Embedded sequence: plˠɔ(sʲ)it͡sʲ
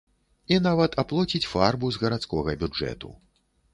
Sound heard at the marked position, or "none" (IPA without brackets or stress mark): t͡sʲ